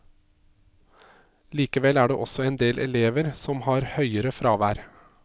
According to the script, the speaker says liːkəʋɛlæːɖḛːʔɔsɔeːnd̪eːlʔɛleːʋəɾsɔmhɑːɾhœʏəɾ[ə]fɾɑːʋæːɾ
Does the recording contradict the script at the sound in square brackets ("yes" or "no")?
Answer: no